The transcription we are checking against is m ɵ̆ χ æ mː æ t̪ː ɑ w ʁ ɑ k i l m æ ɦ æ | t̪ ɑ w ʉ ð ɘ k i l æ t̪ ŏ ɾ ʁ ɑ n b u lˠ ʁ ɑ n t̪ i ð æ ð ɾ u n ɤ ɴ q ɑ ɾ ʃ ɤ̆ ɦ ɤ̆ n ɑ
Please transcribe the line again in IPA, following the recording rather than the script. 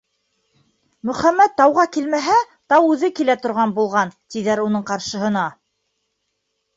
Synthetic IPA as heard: m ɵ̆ χ æ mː æ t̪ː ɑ w ʁ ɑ k i l m æ ɦ æ | t̪ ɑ w ʉ ð ɘ k i l æ t̪ ŏ ɾ ʁ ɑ n b u lˠ ʁ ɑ n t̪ i ð æ ɾ u n ɤ ɴ q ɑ ɾ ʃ ɤ̆ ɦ ɤ̆ n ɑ

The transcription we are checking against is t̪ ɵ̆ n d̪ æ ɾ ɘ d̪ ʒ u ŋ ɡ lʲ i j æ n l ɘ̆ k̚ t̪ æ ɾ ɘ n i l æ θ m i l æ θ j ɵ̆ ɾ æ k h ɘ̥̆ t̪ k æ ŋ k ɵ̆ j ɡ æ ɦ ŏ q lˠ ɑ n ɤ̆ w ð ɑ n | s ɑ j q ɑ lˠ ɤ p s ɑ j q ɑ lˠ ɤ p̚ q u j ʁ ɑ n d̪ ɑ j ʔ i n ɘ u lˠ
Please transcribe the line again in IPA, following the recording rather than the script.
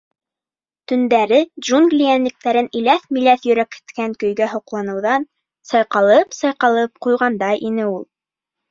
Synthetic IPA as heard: t̪ ɵ̆ n d̪ æ ɾ ɘ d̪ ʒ u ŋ ɡ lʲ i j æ n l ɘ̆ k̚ t̪ æ ɾ ɘ n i l æ θ m i l æ θ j ɵ̆ ɾ æ k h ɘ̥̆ t̪ k æ ŋ k ɵ̆ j ɡ æ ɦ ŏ q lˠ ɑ n ɤ̆ w ð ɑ n | s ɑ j q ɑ lˠ ɤ p s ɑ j q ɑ lˠ ɤ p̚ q u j ʁ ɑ n d̪ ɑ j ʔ i n ɘ u lˠ

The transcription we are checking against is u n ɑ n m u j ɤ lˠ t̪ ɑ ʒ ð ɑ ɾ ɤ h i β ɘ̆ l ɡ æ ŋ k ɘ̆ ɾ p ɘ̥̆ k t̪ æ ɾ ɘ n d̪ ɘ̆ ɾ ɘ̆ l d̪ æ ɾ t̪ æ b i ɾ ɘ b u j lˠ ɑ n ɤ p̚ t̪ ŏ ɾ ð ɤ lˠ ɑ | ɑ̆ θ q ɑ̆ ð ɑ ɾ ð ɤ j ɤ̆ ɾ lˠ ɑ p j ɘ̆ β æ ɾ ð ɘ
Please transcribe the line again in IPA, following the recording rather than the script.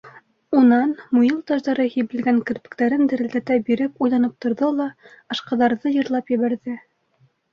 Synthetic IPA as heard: u n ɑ n m u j ɤ lˠ t̪ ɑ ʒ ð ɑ ɾ ɤ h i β ɘ̆ l ɡ æ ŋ k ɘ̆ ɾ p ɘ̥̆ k t̪ æ ɾ ɘ n d̪ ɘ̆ ɾ ɘ̆ l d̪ æ t̪ æ b i ɾ ɘ p u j lˠ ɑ n ɤ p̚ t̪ ŏ ɾ ð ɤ lˠ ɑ | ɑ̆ ʃ q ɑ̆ ð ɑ ɾ ð ɤ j ɤ̆ ɾ lˠ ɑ p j ɘ̆ β æ ɾ ð ɘ

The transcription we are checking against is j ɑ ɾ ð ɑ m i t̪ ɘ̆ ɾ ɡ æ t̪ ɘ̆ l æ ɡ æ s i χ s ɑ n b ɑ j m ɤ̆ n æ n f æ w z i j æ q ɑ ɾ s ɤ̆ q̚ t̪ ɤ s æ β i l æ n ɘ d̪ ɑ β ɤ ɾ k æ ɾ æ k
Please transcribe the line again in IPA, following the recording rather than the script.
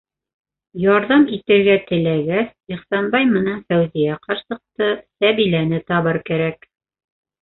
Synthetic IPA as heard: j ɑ ɾ ð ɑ m i t̪ ɘ̆ ɾ ɡ æ t̪ ɘ̆ l æ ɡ æ s i χ s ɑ n b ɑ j m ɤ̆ n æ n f æ w z i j æ q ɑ ɾ s ɤ̆ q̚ t̪ ɤ s æ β i l æ n ɘ t̪ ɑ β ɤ ɾ k æ ɾ æ k

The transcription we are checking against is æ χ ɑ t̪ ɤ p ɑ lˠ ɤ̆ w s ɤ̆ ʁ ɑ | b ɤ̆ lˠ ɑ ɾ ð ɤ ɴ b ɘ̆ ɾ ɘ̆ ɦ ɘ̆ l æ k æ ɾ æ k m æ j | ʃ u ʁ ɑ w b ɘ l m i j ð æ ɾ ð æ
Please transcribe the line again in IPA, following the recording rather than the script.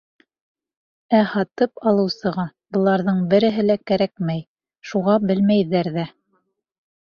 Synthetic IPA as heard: æ h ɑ t̪ ɤ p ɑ lˠ ɤ̆ w s ɤ̆ ʁ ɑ | b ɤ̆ lˠ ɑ ɾ ð ɤ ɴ b ɘ̆ ɾ ɘ̆ ɦ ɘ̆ l æ k æ ɾ æ k m æ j | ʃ u ʁ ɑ b ɘ l m æ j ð æ ɾ ð æ

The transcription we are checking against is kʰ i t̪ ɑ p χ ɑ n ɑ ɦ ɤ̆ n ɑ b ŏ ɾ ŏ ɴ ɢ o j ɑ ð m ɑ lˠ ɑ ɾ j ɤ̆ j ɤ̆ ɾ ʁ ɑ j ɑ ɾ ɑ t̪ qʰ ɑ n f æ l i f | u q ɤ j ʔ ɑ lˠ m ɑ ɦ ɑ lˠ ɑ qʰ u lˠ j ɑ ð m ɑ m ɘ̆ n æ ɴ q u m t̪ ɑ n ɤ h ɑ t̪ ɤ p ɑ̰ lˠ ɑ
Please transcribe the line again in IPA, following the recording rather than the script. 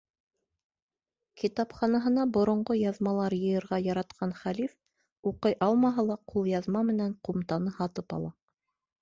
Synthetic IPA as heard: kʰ i t̪ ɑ p χ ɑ n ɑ ɦ ɤ̆ n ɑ b ŏ ɾ ŏ ɴ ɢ o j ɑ ð m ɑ lˠ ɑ ɾ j ɤ̆ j ɤ̆ ɾ ʁ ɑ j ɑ ɾ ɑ t̪ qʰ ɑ n χ æ l i f | u q ɤ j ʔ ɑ lˠ m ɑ ɦ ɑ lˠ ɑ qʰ u lˠ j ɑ ð m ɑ m ɘ̆ n æ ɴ q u m t̪ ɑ n ɤ h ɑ t̪ ɤ p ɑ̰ lˠ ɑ

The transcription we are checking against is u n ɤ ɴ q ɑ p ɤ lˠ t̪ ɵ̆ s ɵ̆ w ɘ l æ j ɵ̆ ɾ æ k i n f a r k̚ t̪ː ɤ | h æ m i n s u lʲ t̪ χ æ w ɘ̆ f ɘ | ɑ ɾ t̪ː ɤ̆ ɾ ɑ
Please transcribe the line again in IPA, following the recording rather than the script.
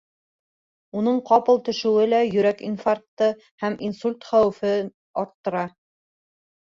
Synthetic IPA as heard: u n ɤ ɴ q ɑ p ɤ lˠ t̪ ɵ̆ ʃ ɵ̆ w ɘ l æ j ɵ̆ ɾ æ k i n f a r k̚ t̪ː ɤ | h æ m i n s u lʲ t̪ χ æ w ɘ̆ f ɘ | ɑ ɾ t̪ː ɤ̆ ɾ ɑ

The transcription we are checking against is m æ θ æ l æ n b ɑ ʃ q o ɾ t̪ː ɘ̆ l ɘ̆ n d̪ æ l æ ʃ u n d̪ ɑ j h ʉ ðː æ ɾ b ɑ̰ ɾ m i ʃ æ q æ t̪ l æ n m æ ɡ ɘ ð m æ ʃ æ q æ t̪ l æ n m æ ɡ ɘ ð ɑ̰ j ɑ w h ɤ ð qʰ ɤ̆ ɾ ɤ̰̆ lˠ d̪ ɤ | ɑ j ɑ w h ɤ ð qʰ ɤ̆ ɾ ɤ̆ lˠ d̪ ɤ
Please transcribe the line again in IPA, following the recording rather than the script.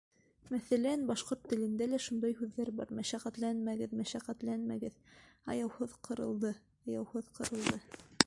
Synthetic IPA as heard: m æ θ æ l æ n b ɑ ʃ q o ɾ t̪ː ɘ̆ l ɘ̆ n d̪ æ l æ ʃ u n d̪ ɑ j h ʉ ðː æ ɾ b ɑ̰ ɾ m æ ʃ æ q æ t̪ l æ n m æ ɡ ɘ ð m æ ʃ æ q æ t̪ l æ n m æ ɡ ɘ ð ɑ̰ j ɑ w h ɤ ð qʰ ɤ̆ ɾ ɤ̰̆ lˠ d̪ ɤ | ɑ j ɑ w h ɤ ð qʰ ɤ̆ ɾ ɤ̆ lˠ d̪ ɤ

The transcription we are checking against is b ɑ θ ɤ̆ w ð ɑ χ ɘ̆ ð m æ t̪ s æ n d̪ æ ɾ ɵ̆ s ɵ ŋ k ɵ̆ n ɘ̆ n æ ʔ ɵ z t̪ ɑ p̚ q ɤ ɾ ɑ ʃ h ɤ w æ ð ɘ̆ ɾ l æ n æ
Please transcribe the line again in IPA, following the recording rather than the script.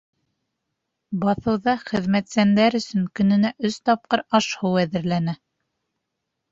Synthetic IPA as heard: b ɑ θ ɤ̆ w ð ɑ χ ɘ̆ ð m æ t̪ s æ n d̪ æ ɾ ɵ̆ s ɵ ŋ k ɵ̆ n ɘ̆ n æ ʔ ɵ s t̪ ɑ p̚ q ɤ ɾ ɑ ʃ h ɤ w æ ð ɘ̆ ɾ l æ n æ

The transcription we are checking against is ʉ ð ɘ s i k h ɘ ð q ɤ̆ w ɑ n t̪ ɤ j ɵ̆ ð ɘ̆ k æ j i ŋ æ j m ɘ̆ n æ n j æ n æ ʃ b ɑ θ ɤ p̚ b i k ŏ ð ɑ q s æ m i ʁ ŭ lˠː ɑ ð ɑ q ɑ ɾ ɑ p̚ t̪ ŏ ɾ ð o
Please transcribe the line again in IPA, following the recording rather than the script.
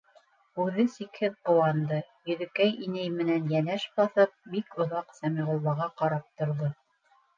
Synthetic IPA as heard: ʉ ð ɘ s i k h ɘ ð q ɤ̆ w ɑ n d̪ ɤ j ɵ̆ ð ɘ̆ k æ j i n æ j m ɘ̆ n æ n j æ n æ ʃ b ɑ θ ɤ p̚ b i k ŏ ð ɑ q s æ m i ʁ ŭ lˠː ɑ ʁ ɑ q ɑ ɾ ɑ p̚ t̪ ŏ ɾ ð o

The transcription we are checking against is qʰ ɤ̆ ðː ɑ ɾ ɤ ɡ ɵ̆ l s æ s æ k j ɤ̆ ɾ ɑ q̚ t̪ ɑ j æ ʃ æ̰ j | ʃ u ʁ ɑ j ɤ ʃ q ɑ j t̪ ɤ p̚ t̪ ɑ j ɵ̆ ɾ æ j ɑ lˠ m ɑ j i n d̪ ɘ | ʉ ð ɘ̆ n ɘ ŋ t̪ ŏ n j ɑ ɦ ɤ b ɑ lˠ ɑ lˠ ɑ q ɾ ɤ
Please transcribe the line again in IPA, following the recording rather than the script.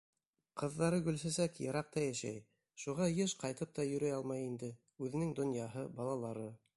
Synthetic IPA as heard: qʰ ɤ̆ ðː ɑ ɾ ɤ ɡ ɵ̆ l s æ s æ k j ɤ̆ ɾ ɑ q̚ t̪ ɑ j æ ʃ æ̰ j | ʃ u ʁ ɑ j ɤ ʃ q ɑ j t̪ ɤ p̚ t̪ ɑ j ɵ̆ ɾ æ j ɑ lˠ m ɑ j i n d̪ ɘ | ʉ ð ɘ̆ n ɘ ŋ d̪ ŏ n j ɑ ɦ ɤ b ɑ lˠ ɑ lˠ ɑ ɾ ɤ

